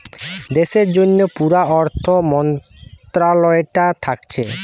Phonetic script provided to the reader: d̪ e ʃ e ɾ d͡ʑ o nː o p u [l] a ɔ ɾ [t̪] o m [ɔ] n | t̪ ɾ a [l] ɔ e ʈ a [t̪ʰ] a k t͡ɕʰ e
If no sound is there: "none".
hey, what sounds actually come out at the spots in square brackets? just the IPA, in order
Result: ɾ, t̪ʰ, ɔ, l, t̪ʰ

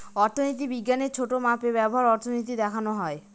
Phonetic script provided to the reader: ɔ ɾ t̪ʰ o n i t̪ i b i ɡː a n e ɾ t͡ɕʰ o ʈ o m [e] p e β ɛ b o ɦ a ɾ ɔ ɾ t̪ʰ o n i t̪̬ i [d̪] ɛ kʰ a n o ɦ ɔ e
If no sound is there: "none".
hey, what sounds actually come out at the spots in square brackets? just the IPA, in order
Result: a, d̪

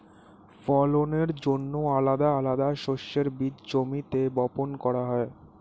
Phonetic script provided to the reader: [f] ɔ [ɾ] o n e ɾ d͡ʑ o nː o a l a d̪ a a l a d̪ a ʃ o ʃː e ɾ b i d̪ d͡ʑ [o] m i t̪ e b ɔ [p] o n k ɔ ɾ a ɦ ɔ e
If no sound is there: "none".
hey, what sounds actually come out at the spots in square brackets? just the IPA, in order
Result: f, l, o, p

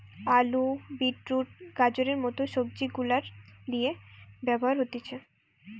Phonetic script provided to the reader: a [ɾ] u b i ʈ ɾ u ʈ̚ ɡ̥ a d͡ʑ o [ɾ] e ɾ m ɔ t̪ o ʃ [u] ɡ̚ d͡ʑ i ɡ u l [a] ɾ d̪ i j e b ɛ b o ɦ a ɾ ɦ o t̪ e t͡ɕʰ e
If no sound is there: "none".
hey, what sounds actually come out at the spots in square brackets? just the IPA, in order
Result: l, ɾ, o, a

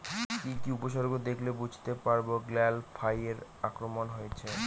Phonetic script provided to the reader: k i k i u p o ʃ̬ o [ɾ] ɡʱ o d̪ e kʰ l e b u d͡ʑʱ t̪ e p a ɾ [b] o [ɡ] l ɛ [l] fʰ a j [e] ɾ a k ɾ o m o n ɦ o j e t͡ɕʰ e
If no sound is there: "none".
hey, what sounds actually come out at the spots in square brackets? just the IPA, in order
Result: ɾ, b, ɡ, l, e

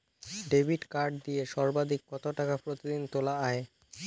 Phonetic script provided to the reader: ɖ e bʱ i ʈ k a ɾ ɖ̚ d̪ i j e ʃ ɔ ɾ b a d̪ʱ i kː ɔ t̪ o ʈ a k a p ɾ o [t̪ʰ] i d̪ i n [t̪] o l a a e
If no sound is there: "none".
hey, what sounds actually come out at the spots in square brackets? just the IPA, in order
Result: t̪, t̪

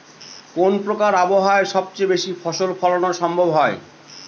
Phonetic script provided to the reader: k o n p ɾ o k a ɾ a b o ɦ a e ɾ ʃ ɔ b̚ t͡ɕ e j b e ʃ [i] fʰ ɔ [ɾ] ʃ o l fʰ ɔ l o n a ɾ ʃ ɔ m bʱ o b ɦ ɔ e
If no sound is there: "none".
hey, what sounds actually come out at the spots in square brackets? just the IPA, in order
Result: i, none

